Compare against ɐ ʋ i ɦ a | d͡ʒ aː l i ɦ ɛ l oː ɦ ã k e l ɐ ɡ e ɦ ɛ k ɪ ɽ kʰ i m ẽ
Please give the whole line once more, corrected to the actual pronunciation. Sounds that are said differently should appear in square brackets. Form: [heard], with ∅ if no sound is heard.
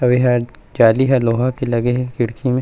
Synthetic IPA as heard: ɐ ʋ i ɦ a | d͡ʒ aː l i ɦ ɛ l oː ɦ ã k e l ɐ ɡ e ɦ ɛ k ɪ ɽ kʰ i m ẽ